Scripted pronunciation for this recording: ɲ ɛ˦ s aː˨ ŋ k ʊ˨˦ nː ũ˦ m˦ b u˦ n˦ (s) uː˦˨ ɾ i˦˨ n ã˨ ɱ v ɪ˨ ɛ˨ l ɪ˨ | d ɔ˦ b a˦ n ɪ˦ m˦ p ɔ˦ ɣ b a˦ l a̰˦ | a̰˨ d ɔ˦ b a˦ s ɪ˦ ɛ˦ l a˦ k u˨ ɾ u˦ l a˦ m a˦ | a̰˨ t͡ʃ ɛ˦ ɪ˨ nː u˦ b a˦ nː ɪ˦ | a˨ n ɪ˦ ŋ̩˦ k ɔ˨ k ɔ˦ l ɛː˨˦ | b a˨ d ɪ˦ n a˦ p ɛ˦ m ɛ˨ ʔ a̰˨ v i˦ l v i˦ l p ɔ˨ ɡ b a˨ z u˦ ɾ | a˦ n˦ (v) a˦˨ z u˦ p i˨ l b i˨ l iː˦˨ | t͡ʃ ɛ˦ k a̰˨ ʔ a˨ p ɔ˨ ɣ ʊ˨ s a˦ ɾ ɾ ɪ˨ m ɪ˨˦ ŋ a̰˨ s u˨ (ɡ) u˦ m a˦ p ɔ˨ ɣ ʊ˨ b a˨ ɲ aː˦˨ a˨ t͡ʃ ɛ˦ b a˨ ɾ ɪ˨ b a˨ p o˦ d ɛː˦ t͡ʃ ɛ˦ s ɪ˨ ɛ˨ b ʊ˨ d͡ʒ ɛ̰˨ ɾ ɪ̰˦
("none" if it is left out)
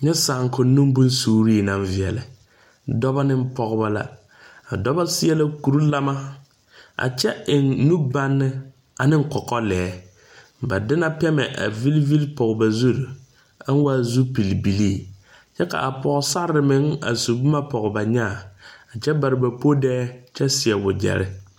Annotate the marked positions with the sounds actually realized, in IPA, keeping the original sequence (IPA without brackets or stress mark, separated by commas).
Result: s, w, b